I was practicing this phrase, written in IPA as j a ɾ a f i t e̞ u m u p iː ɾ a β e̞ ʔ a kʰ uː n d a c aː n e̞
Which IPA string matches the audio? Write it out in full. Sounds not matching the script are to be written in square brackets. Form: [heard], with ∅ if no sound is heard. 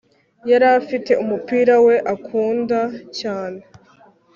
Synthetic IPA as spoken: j a ɾ a f i t e̞ u m u p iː ɾ a [w] e̞ ʔ a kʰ uː n d a c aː n e̞